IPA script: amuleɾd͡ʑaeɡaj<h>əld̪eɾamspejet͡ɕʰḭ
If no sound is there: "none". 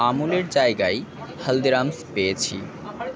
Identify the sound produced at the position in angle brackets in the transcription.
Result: h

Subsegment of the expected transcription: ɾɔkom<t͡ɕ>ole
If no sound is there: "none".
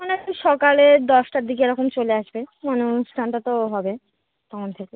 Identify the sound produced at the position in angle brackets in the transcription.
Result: t͡ɕ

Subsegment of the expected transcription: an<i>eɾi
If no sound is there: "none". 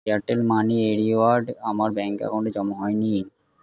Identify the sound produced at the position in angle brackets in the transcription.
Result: i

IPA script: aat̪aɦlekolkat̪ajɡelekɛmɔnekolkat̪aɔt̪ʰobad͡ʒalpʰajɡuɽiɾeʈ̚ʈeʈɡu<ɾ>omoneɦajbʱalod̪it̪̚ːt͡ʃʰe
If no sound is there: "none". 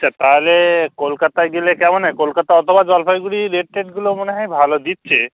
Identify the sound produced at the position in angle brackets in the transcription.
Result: l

